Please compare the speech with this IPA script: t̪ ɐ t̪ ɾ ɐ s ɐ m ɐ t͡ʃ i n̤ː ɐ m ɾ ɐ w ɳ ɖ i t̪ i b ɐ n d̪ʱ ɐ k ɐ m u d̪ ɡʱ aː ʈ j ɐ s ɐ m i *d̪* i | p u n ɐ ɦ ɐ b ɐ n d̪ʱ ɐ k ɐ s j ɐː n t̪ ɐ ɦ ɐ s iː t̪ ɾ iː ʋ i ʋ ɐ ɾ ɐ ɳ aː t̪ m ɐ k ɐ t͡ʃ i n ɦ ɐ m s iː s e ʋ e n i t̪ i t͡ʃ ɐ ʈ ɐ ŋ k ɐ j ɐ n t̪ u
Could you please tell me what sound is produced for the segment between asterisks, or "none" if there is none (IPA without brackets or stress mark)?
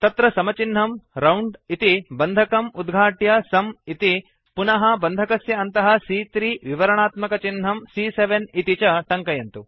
t̪